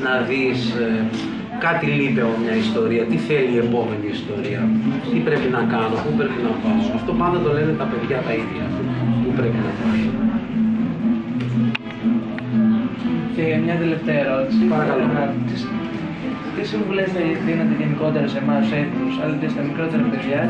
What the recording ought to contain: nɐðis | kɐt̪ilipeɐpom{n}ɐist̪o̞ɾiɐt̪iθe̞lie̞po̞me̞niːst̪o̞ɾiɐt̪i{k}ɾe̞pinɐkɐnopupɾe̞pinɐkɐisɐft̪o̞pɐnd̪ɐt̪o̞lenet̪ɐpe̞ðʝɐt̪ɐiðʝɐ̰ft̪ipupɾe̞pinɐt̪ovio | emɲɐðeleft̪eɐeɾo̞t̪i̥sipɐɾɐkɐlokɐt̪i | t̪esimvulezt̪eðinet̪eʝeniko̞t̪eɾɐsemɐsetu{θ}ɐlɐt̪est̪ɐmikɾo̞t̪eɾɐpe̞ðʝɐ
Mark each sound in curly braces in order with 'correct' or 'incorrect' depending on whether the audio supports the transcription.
incorrect, incorrect, incorrect

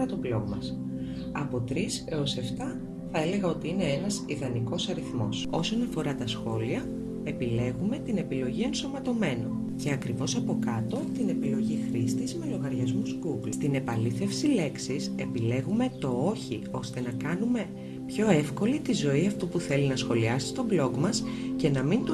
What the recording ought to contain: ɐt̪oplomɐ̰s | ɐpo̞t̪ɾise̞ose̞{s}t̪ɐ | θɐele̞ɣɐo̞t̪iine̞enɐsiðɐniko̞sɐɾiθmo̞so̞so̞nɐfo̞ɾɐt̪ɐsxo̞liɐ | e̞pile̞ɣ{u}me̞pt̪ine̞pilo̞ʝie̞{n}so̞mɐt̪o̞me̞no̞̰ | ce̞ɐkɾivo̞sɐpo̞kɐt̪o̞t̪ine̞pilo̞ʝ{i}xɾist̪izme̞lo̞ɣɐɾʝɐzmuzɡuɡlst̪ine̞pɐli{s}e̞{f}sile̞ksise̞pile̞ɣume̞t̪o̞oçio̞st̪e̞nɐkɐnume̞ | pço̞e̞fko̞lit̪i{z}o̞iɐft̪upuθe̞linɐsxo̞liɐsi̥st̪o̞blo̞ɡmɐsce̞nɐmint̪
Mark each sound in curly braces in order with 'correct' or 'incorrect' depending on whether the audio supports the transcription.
incorrect, correct, correct, correct, incorrect, correct, correct

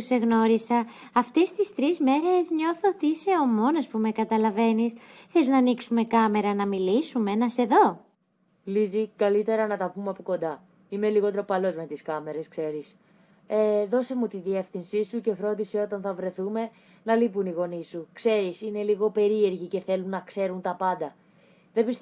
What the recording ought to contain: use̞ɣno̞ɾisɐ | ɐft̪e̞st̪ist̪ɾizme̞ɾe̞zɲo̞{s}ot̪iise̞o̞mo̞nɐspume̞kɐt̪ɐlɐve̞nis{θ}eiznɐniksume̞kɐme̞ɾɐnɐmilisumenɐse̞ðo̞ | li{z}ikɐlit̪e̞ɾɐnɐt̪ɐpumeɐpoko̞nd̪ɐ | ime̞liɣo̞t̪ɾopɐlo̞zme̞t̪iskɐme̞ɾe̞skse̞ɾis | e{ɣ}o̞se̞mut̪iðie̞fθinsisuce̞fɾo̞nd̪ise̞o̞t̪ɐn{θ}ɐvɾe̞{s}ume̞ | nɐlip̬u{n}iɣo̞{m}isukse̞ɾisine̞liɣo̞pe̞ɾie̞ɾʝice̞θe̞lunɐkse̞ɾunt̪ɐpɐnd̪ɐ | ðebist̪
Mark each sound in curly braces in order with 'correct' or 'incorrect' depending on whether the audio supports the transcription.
incorrect, correct, correct, incorrect, correct, incorrect, correct, incorrect

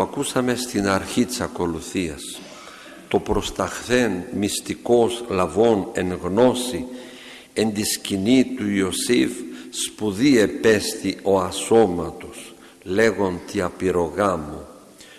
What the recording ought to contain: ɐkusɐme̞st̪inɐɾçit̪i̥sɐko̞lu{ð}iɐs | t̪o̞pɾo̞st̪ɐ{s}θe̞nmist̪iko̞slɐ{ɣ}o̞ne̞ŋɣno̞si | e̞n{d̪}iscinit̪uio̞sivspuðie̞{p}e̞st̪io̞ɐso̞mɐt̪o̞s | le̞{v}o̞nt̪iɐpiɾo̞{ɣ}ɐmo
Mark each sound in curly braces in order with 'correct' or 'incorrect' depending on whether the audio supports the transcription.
incorrect, incorrect, incorrect, correct, correct, incorrect, correct

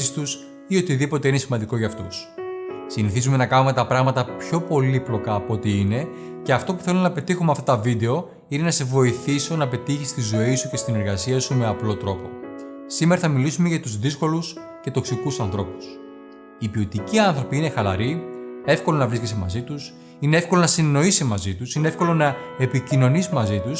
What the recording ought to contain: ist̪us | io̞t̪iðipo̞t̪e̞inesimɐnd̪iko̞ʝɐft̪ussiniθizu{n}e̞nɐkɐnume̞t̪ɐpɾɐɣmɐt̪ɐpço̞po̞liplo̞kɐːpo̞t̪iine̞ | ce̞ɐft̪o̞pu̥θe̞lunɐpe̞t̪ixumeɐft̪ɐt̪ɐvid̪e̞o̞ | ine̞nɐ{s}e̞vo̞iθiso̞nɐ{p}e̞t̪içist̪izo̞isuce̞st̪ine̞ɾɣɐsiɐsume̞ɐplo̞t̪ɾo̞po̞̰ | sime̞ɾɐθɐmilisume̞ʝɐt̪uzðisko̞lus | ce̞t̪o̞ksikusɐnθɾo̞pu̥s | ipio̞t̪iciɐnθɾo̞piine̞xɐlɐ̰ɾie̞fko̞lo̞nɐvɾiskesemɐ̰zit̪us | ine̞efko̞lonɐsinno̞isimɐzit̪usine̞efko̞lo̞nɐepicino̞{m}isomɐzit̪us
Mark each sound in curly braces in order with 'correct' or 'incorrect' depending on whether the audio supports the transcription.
incorrect, correct, correct, incorrect

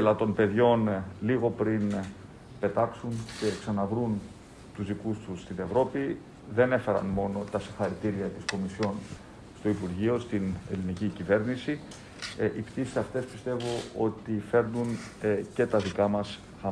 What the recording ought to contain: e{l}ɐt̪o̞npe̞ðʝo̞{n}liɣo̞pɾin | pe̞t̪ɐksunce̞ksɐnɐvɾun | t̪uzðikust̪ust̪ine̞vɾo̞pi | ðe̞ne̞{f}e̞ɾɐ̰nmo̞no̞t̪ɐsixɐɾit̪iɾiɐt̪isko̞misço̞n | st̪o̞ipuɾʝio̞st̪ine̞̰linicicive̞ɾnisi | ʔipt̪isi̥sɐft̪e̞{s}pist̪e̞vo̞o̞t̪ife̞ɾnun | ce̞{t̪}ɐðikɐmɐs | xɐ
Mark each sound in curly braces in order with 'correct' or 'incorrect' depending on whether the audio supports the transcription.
correct, correct, correct, correct, correct

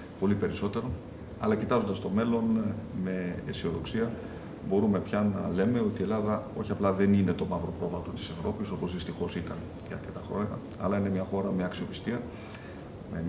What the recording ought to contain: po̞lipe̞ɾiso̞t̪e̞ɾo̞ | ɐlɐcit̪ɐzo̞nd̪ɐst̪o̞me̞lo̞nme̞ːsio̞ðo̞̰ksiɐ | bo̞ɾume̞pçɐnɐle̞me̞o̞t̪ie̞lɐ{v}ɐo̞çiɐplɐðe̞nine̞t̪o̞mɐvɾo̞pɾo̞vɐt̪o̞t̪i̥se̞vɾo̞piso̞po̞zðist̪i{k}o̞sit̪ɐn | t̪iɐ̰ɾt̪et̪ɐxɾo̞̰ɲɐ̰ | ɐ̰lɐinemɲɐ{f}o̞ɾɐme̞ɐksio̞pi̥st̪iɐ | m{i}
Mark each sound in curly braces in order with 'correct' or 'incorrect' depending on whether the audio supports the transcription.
incorrect, incorrect, incorrect, incorrect

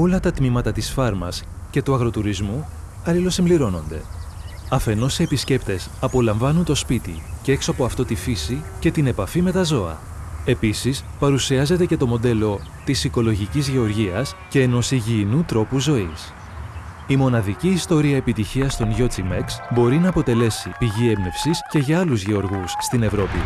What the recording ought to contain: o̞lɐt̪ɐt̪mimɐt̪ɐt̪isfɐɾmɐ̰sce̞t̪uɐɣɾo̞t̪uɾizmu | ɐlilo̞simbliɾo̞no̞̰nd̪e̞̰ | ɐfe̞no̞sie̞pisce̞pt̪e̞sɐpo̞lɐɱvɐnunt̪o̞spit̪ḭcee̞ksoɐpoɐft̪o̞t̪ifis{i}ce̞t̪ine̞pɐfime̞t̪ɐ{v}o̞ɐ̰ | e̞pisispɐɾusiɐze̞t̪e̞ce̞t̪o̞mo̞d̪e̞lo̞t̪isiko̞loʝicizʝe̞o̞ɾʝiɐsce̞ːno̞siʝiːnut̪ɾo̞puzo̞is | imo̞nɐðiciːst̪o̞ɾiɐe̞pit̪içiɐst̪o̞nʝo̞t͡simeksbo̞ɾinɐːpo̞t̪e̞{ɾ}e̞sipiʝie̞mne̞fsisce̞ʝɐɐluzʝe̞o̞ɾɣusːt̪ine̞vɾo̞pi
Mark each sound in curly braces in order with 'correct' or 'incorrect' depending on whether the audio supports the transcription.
correct, incorrect, incorrect

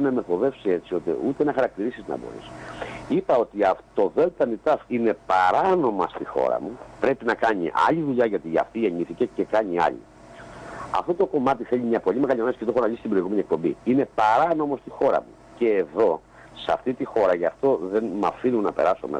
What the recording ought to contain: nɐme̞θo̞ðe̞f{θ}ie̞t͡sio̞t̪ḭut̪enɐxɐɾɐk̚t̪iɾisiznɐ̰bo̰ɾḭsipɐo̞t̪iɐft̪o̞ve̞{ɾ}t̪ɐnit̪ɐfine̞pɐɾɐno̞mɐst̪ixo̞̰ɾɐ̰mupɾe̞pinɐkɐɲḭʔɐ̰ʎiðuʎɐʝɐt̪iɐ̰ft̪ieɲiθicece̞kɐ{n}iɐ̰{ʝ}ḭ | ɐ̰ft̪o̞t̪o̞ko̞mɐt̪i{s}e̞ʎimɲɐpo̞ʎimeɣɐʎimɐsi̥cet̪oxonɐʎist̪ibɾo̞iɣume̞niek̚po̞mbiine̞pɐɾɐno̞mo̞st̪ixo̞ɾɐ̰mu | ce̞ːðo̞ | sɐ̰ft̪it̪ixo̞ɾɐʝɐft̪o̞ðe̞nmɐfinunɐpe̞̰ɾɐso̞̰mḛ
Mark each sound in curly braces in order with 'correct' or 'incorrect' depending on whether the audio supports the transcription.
incorrect, incorrect, incorrect, incorrect, incorrect

